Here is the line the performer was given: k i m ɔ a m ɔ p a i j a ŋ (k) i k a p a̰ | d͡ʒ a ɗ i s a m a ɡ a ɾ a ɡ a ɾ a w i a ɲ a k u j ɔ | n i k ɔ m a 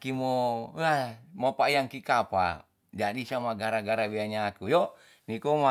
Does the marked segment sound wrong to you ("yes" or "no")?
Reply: no